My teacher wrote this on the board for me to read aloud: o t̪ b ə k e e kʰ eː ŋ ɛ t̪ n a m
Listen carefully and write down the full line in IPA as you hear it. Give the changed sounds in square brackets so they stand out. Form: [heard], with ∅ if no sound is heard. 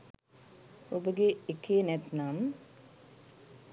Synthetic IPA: o [∅] b ə [ɡ] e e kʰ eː [n] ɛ t̪ n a m